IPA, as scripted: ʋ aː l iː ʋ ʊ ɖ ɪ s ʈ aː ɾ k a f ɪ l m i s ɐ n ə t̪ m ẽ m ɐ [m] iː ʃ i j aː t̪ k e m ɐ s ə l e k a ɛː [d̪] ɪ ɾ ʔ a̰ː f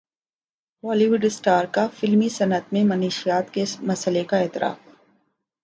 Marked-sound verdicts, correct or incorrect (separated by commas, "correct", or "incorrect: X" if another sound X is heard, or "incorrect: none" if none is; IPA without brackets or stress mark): incorrect: n, incorrect: t̪